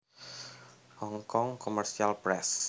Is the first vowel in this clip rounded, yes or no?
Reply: yes